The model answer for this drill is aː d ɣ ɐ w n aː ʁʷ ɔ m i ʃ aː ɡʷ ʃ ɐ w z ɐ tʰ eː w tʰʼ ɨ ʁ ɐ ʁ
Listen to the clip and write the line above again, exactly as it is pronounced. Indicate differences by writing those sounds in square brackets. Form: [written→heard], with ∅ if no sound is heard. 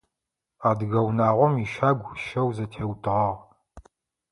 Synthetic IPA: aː d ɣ ɐ w n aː ʁʷ ɔ m i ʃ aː ɡʷ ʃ ɐ w z ɐ tʰ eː w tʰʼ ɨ ʁ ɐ ʁ